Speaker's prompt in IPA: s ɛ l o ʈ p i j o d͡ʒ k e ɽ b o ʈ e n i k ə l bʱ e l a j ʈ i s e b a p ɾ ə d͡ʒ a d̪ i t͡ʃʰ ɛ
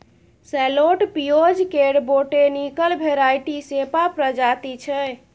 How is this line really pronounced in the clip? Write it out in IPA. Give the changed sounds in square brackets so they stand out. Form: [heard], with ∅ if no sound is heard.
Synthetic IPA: s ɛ l o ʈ p i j o d͡ʒ k e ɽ b o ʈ e n i k ə l bʱ e [ɾ] a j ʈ i s e [p] a p ɾ ə d͡ʒ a [t̪] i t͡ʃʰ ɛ

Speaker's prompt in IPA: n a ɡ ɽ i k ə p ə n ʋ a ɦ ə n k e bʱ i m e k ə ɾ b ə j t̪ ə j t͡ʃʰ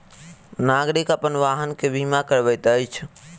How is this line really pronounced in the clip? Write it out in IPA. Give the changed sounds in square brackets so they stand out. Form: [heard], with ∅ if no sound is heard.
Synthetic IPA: n a ɡ [ɾ] i k ə p ə n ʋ a ɦ ə n k e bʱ i m [a] k ə ɾ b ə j t̪ ə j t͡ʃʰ

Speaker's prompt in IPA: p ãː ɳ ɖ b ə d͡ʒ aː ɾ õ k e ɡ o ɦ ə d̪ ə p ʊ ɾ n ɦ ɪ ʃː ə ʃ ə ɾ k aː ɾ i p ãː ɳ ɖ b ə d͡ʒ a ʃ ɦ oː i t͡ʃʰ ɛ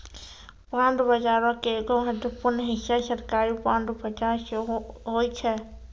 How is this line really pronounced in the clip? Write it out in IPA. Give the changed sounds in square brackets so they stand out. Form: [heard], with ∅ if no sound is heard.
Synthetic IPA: p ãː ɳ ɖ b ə d͡ʒ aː ɾ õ k e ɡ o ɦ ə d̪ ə p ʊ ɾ n ɦ ɪ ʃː [a] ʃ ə ɾ k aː ɾ i p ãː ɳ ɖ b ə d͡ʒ a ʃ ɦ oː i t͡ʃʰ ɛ

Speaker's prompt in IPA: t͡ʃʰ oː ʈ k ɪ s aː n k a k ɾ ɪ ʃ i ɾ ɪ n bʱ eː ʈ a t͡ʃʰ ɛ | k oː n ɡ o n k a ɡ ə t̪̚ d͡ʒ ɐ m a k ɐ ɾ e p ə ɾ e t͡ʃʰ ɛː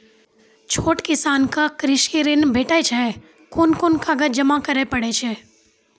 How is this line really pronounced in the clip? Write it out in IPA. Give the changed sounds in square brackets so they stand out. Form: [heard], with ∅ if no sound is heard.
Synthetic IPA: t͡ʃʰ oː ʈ k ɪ s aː n k a k ɾ ɪ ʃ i ɾ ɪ n bʱ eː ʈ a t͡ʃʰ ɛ | k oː n [k] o n k a ɡ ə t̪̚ d͡ʒ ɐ m a k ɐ ɾ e p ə [ɽ] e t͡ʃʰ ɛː

